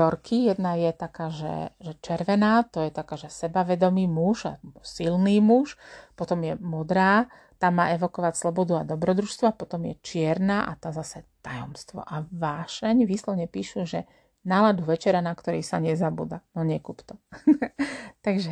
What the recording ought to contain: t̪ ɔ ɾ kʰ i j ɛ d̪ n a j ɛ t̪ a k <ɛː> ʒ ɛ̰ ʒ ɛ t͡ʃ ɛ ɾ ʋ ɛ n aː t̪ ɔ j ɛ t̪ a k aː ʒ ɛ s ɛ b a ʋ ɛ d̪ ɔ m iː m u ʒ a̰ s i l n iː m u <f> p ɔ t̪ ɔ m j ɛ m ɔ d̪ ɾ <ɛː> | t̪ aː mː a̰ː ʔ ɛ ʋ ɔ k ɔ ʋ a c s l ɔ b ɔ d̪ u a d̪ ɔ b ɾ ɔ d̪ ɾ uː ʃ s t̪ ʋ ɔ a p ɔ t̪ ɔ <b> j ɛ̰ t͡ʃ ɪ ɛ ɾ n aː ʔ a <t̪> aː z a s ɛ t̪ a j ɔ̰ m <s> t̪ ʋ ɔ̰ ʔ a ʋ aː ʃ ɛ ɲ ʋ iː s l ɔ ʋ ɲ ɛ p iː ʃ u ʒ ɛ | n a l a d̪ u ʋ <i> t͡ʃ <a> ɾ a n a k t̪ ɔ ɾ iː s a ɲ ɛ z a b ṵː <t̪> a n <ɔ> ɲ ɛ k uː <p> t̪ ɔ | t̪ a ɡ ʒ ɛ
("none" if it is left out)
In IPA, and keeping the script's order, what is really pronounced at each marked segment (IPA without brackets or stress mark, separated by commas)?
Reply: aː, ʃ, aː, m, t̪, s, ɛ, ɛ, d̪, ɔ, p